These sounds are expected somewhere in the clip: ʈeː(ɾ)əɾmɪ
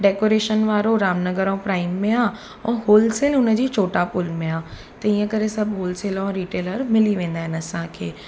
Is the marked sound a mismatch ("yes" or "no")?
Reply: yes